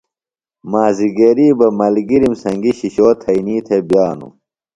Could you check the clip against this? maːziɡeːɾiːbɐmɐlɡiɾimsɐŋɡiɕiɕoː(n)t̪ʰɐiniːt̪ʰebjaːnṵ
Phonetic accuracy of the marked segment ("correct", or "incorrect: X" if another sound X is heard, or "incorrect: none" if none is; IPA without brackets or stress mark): incorrect: none